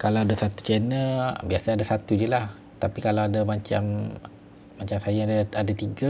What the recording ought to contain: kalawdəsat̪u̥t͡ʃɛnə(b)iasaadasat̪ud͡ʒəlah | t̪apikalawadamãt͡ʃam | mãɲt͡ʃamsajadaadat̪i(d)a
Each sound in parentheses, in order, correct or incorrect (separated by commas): correct, incorrect